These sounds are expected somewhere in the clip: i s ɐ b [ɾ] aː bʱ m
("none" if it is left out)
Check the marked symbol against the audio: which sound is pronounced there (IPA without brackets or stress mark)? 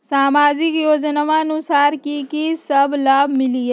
l